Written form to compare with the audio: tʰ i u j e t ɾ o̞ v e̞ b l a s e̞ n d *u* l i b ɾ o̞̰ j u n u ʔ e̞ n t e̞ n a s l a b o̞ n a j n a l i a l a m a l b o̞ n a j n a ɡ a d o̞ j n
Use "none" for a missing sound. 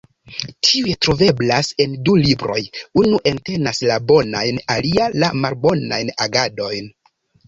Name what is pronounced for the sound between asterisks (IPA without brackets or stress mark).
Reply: u